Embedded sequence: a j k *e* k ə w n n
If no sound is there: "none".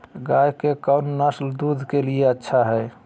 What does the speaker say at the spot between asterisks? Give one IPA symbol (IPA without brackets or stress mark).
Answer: e